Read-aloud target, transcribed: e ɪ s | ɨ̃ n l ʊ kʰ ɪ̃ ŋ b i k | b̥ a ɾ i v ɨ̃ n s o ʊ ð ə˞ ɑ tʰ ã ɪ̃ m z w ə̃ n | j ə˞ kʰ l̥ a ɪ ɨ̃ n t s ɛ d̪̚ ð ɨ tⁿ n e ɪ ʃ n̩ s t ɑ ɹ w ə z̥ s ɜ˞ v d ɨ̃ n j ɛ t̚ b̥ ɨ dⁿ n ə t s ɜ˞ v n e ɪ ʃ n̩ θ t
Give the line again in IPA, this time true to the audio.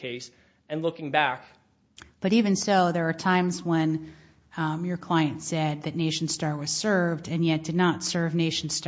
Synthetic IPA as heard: e ɪ s | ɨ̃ n l ʊ k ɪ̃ ŋ b æ k | b̥ ʌ ɾ i v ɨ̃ n s o ʊ ð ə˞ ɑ tʰ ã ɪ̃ m z w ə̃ n | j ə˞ kʰ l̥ a ɪ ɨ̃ n t s ɛ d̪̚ ð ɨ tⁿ n e ɪ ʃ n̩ s t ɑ ɹ w ʌ z̥ s ɜ˞ v d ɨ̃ n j ɛ t̚ d̥ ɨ dⁿ n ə t s ɜ˞ v n e ɪ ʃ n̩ s t

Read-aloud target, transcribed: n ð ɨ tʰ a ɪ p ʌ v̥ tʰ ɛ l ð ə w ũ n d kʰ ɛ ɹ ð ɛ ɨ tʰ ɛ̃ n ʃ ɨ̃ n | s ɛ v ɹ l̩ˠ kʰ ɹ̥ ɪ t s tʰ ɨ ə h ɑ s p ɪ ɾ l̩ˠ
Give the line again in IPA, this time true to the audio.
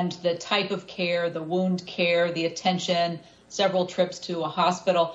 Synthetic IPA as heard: n ð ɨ tʰ a ɪ p ʌ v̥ kʰ ɛ ɹ ð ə w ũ n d kʰ ɛ ɹ ð i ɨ tʰ ɛ̃ n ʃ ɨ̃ n | s ɛ v ɹ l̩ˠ tʰ ɹ̥ ɪ p s tʰ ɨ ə h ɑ s p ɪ ɾ l̩ˠ

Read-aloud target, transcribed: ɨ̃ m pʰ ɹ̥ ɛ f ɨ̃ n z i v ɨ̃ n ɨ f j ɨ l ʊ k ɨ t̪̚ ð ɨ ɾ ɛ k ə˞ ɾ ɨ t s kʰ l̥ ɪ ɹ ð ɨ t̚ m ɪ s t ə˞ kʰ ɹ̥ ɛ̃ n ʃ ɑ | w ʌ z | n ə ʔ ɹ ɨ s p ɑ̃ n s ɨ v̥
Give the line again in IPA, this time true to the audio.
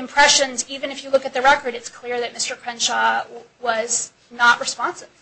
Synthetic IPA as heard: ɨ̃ m pʰ ɹ̥ ɛ ʃ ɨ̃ n z i v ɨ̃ n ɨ f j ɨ l ʊ k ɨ t̪̚ ð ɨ ɹ ɛ k ə˞ ɾ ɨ t s kʰ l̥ ɪ ɹ ð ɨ t̚ m ɪ s t ə˞ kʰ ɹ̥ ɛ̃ n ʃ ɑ | w ʌ z | n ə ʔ ɹ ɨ s p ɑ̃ n s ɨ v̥

